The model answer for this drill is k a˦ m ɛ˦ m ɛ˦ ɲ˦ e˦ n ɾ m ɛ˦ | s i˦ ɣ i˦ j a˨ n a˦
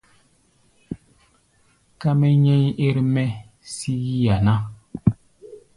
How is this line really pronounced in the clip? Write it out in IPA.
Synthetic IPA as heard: k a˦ m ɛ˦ ɲ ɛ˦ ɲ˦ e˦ ɾ m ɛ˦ | s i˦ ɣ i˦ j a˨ n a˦